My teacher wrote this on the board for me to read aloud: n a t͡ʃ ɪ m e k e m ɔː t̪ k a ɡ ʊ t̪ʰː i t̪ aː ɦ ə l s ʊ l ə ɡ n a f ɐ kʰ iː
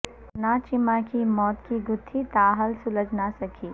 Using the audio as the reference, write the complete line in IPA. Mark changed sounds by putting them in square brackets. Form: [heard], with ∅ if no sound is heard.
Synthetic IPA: n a t͡ʃ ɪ m [a] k [i] m ɔː t̪ k [i] ɡ ʊ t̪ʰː i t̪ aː ɦ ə l s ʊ l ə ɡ n a [s] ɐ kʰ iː